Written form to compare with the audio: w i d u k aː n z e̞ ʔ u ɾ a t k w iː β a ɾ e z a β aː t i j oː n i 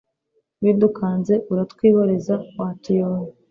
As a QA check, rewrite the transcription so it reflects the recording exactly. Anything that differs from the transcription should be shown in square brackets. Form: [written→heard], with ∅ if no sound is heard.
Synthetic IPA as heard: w i d u k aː n z e̞ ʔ u ɾ a t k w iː β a ɾ e z a [β→w] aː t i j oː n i